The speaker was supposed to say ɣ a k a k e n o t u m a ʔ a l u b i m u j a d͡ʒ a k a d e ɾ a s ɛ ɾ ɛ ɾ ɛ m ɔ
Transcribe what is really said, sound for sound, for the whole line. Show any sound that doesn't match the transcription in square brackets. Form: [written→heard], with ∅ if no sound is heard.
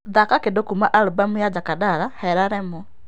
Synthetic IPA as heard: [ɣ→ð] a k a k e [n→d] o [t→k] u m a ʔ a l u b [i→a] m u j a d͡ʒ a k a d [e→a] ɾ a [s→h] ɛ ɾ [ɛ→a] ɾ ɛ m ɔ